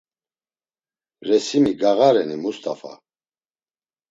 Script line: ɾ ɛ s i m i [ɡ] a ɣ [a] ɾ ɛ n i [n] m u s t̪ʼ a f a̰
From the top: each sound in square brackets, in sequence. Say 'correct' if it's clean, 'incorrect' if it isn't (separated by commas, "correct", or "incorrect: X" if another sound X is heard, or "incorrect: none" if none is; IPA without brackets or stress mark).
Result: correct, correct, incorrect: none